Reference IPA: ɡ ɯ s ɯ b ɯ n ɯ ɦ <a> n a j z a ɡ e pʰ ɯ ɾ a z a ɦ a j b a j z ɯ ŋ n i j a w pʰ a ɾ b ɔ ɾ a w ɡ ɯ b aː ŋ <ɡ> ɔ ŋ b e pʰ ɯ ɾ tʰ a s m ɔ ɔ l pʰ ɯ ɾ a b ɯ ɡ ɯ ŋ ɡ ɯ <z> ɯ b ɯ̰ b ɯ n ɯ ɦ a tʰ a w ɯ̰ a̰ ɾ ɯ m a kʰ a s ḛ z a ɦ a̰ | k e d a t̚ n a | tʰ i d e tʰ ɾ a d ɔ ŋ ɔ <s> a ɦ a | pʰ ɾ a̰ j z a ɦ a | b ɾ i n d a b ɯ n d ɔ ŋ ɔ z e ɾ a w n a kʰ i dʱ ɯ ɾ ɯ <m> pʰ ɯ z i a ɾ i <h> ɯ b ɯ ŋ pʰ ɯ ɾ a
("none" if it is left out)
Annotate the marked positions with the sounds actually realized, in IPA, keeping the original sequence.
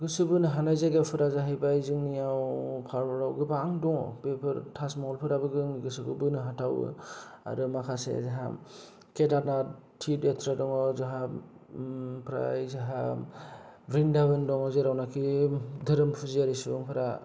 a, d, s, z, m, s

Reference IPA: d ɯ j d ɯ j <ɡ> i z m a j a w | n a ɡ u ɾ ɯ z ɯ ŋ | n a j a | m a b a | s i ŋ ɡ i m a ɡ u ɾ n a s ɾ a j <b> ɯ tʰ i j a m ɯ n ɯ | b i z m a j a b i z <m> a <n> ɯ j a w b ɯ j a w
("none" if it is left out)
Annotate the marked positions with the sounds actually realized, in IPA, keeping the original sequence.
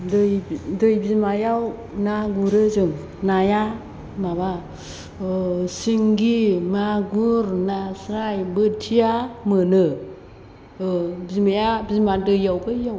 b, b, m, d

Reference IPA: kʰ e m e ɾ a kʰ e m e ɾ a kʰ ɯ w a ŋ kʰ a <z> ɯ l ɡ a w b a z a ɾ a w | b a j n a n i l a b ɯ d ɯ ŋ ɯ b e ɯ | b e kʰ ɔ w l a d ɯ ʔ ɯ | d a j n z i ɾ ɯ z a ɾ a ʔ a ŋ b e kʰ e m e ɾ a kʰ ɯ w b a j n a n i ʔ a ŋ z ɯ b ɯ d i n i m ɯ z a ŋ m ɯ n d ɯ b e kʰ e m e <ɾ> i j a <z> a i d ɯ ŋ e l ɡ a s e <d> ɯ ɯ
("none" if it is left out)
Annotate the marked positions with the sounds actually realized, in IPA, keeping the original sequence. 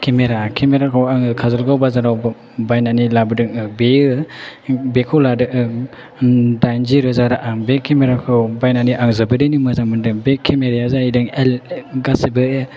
z, ɾ, z, b

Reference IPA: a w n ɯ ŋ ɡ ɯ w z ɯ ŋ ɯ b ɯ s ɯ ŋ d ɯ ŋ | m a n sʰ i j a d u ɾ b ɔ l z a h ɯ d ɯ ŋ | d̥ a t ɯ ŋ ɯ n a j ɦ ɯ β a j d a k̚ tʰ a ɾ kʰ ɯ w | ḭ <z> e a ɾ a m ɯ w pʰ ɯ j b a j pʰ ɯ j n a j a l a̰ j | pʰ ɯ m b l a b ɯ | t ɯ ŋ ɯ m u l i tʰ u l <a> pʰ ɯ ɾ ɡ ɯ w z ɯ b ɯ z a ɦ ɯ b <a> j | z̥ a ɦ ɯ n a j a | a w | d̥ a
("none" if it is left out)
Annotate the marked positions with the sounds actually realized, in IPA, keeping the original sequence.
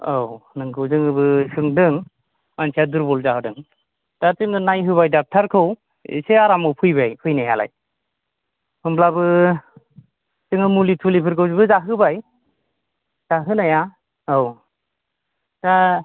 s, i, a

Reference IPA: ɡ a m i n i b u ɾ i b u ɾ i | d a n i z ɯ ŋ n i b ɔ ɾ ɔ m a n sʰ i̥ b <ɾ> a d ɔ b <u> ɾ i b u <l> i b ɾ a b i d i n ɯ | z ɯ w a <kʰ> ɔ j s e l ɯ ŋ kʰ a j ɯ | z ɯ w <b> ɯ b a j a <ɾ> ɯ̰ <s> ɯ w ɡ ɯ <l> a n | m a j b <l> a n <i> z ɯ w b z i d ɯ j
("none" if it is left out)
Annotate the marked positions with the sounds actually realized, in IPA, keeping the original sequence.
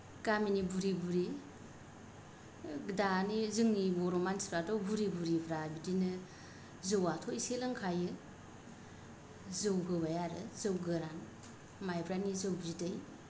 ɾ, u, ɾ, tʰ, ɡ, ɾ, z, ɾ, ɾ, i

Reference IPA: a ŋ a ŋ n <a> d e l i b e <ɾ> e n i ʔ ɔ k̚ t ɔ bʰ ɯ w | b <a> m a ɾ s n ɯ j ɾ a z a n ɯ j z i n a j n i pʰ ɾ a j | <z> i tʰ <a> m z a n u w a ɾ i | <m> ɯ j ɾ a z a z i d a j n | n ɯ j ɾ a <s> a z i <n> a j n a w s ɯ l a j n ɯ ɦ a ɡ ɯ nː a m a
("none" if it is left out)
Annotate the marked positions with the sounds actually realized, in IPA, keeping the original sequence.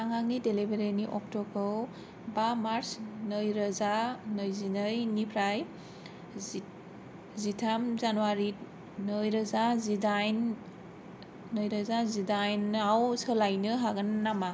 i, ɾ, a, z, a, n, z, d

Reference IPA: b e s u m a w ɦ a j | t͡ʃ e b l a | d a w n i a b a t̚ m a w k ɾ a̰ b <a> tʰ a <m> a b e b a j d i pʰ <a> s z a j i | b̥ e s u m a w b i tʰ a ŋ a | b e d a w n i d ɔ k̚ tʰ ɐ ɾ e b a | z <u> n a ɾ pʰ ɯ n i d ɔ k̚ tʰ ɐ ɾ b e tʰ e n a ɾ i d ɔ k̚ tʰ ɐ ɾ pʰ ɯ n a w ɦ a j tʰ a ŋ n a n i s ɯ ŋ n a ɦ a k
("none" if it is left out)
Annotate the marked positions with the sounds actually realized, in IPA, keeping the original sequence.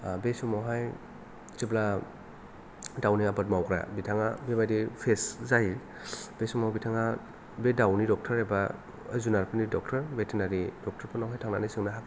i, ŋ, e, u

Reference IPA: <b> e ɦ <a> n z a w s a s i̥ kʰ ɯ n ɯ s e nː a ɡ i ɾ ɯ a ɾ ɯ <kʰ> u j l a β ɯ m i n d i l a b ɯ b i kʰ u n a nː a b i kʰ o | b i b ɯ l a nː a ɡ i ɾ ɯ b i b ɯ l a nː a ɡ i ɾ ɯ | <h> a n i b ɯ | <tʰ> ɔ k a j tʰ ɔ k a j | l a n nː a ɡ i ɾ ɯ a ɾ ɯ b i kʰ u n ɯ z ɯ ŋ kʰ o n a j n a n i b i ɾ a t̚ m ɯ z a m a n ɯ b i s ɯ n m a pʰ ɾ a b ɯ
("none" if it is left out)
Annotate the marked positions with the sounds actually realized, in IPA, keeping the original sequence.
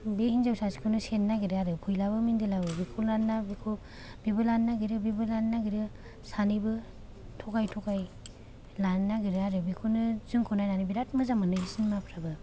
b, i, pʰ, s, tʰ

